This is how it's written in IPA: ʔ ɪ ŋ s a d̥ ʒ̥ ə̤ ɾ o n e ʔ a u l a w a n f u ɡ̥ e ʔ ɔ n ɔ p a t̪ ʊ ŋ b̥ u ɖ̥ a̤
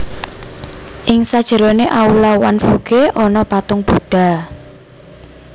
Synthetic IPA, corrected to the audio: ʔ ɪ ŋ s a d̥ ʒ̥ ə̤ ɾ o n e ʔ a u l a w a n f u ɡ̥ e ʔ ɔ n ɔ p a t̪ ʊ ŋ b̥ u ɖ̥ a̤